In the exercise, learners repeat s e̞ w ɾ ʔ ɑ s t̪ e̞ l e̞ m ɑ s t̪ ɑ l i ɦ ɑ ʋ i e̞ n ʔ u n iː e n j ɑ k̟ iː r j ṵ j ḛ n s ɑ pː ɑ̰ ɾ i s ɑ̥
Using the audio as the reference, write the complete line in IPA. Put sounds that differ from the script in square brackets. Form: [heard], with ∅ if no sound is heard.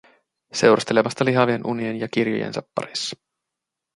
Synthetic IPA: s e̞ w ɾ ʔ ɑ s t̪ e̞ l e̞ m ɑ s t̪ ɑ l i ɦ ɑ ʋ i e̞ n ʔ u n [i] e n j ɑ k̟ [i] r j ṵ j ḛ n s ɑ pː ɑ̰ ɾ i [sː] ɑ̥

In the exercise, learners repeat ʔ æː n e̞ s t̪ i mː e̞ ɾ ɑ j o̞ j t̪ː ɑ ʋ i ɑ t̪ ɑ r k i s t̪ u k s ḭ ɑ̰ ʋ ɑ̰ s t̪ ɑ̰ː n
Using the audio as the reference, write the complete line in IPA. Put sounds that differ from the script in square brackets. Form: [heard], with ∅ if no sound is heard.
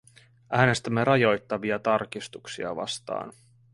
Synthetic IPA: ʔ æː n e̞ s t̪ [æ] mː e̞ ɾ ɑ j o̞ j t̪ː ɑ ʋ i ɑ t̪ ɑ r k i s t̪ u k s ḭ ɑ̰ ʋ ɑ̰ s t̪ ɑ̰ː n

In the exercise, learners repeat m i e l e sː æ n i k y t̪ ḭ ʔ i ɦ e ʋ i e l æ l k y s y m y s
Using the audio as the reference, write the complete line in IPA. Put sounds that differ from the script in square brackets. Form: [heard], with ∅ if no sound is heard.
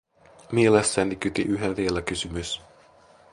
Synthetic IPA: m i e l e sː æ n i k y t̪ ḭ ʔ [y] ɦ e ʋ i e l æ [∅] k y s y m y s

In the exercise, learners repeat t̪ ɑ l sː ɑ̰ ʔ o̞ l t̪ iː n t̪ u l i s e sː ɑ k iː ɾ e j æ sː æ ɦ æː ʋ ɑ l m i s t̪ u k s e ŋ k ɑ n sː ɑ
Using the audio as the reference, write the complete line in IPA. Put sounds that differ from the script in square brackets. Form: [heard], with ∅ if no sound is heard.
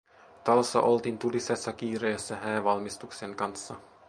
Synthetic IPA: t̪ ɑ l sː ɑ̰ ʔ o̞ l t̪ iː n t̪ u l i s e sː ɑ k iː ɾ e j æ sː æ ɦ æː ʋ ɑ l m i s t̪ u k s e ŋ k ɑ n sː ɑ

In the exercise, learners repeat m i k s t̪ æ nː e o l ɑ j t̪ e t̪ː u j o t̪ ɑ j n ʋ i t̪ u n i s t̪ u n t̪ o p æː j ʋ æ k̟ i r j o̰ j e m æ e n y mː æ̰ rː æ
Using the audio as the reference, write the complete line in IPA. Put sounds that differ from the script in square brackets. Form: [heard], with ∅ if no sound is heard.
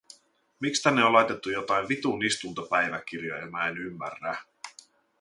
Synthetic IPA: m i k s t̪ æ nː e o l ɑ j t̪ e t̪ː u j o t̪ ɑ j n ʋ i t̪ u n i s t̪ u n t̪ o p [æ] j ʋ æ k̟ i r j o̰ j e m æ e n y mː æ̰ rː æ

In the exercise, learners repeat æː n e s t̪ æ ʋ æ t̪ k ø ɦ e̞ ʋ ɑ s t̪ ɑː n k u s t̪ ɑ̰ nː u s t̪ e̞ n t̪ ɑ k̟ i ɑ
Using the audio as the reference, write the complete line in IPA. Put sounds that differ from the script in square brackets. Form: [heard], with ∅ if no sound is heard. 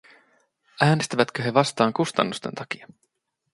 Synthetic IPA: æː n e s t̪ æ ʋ æ t̪ k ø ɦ e̞ ʋ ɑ s t̪ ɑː [ŋ] k u s t̪ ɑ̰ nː u s t̪ e̞ n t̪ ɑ k̟ i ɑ

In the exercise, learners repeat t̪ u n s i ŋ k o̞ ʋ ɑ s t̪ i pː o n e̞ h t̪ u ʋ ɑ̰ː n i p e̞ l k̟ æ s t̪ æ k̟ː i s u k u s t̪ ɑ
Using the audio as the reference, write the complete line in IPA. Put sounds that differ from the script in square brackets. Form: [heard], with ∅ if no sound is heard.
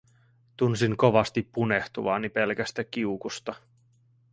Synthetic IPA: t̪ u n s i ŋ k o̞ ʋ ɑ s t̪ i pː [u] n e̞ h t̪ u ʋ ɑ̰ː n i p e̞ l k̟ æ s t̪ æ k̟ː i [∅] u k u s t̪ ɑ

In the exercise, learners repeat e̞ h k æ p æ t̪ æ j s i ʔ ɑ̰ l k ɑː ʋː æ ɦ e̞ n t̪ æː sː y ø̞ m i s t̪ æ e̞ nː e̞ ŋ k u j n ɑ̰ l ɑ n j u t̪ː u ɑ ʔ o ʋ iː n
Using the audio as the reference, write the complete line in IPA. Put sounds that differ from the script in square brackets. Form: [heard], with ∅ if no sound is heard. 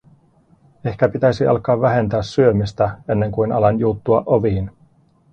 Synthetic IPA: e̞ h k æ p [i] t̪ æ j s i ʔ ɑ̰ l k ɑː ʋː æ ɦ e̞ n t̪ æː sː y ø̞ m i s t̪ æ e̞ nː e̞ ŋ k u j n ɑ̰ l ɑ n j u t̪ː u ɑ ʔ o ʋ iː n

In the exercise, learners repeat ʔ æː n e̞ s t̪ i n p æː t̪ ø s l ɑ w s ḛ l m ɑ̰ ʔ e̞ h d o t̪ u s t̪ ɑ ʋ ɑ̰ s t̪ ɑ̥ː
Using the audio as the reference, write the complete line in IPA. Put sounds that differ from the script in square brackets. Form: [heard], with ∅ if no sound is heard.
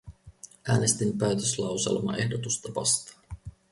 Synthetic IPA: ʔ æː n e̞ s t̪ i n p æː t̪ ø s l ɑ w s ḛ l m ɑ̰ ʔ e̞ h d o t̪ u s t̪ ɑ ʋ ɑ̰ s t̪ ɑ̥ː

